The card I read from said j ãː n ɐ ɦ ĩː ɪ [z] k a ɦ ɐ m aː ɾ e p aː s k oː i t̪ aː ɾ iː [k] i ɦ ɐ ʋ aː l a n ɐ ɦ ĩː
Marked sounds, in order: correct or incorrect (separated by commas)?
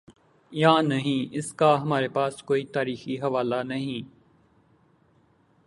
incorrect, incorrect